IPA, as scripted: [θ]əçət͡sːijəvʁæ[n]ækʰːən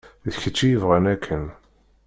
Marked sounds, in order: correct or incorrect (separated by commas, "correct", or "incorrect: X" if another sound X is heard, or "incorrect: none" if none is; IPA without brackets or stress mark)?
incorrect: ð, correct